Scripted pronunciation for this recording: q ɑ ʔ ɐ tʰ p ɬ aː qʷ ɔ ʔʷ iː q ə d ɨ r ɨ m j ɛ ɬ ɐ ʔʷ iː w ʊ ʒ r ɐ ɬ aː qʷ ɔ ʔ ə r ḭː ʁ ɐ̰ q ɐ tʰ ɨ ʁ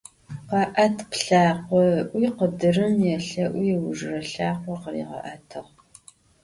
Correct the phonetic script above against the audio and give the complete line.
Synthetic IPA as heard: q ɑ ʔ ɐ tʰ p ɬ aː qʷ ɔ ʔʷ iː q ə d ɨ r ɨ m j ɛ ɬ ɐ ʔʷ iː w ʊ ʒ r ɐ ɬ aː qʷ ɔ q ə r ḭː ʁ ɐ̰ ʔ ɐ tʰ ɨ ʁ